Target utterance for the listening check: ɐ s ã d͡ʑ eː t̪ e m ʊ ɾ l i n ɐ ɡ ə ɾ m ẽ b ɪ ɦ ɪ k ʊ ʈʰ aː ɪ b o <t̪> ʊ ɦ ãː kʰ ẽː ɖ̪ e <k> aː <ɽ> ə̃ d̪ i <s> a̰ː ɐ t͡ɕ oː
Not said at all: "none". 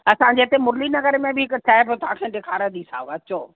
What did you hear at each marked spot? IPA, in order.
t̪, kʰ, ɾ, s

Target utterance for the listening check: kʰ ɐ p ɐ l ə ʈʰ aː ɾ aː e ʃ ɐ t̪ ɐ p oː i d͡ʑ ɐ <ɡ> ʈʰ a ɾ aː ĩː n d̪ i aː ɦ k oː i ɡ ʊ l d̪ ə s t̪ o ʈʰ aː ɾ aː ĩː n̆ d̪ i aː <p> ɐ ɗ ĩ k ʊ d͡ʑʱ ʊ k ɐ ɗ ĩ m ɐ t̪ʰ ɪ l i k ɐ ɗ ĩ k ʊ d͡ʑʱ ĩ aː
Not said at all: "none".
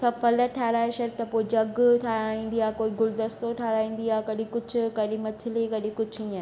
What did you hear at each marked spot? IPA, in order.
ɡ, k

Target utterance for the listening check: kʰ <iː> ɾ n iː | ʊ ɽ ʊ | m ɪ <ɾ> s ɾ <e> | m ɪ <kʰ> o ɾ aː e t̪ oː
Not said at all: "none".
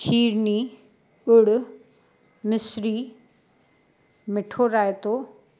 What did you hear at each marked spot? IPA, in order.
iː, none, i, ʈʰ

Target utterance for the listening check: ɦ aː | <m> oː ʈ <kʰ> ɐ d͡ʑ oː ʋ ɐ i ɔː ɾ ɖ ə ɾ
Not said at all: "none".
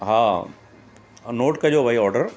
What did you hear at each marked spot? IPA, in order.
n, k

